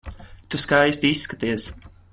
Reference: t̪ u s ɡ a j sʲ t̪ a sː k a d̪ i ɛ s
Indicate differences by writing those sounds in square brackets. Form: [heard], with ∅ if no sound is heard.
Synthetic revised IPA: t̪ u s [k] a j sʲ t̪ [i] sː k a [t̪] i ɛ s

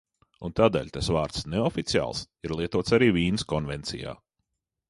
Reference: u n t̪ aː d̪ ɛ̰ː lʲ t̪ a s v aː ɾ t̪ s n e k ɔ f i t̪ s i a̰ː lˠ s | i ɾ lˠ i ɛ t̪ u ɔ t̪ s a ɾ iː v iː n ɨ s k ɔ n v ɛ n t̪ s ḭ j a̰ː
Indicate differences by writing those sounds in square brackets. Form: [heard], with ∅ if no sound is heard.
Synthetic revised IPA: u n t̪ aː d̪ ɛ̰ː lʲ t̪ a s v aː ɾ t̪ s n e [∅] ɔ f i t̪ s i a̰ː lˠ s | i ɾ lˠ i ɛ t̪ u ɔ t̪ s a ɾ iː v iː n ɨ s k ɔ n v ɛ n t̪ s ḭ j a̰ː

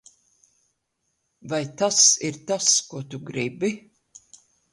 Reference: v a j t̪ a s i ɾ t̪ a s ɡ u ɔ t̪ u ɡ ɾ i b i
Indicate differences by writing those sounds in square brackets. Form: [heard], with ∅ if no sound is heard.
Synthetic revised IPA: v a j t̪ a s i ɾ t̪ a s [k] u ɔ t̪ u ɡ ɾ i b i

